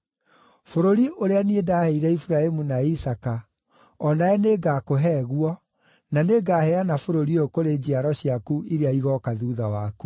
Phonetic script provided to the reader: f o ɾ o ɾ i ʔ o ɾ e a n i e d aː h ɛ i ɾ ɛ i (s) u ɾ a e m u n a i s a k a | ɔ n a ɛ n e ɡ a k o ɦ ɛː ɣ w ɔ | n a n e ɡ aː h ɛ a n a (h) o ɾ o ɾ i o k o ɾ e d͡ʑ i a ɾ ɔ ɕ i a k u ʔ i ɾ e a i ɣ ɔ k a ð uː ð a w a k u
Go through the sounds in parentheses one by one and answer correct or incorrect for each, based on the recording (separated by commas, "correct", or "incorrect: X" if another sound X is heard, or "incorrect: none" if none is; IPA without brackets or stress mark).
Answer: incorrect: f, incorrect: f